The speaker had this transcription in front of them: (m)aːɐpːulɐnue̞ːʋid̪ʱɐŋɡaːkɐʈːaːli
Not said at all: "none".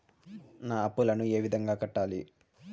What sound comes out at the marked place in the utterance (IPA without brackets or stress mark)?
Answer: n